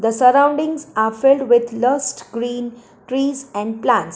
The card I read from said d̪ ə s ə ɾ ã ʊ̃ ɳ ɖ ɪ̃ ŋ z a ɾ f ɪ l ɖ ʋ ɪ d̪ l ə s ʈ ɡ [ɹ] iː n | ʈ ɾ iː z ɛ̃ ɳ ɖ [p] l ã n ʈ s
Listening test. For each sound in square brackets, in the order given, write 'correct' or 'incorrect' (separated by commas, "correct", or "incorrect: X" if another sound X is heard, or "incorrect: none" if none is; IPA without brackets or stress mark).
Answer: incorrect: ɾ, correct